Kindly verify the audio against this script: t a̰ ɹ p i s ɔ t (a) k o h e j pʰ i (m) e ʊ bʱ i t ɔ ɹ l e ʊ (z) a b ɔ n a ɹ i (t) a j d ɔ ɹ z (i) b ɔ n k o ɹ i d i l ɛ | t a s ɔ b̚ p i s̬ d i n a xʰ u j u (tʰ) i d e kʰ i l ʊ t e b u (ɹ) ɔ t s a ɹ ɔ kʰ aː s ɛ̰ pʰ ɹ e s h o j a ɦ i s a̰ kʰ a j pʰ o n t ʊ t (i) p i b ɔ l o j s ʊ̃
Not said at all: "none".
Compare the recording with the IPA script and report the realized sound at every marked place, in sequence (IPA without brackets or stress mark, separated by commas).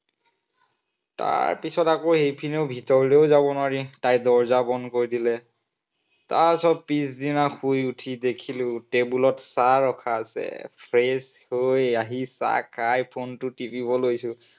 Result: a, n, z, t, a, tʰ, l, i